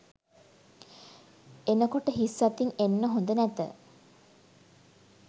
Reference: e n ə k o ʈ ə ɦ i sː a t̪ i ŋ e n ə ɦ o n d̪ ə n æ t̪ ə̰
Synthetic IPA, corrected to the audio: e n ə k o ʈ ə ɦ i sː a t̪ i ŋ e nː ə ɦ o n d̪ ə n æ t̪ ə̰